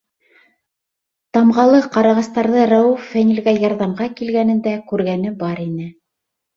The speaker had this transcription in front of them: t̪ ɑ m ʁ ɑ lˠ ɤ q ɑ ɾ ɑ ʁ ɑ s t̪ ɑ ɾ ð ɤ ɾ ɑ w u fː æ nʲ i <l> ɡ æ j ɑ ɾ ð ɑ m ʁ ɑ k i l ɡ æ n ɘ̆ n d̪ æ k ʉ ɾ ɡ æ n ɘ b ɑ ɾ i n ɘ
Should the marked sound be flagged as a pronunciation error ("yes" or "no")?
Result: no